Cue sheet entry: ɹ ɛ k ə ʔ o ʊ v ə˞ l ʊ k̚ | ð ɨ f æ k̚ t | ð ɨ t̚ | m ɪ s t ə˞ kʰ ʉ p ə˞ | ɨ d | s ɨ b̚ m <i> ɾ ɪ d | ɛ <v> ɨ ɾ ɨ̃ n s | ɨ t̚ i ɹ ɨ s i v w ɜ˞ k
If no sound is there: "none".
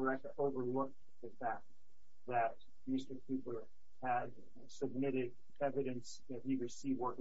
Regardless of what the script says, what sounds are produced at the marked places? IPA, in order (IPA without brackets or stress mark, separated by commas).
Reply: ɪ, v